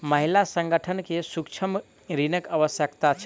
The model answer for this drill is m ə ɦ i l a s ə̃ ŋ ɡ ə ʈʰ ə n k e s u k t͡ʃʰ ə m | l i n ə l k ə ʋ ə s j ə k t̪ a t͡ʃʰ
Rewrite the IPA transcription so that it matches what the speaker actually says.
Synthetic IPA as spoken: m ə ɦ i l a s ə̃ ŋ ɡ ə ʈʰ ə n k e s u k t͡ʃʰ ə m | ɾ i n ə k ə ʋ ə s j ə k t̪ a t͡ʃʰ